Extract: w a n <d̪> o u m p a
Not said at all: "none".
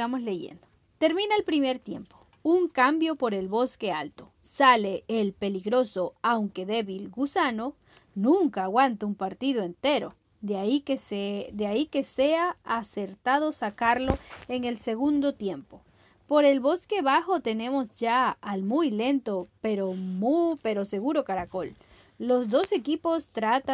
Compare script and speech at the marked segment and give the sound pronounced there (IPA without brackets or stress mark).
t̪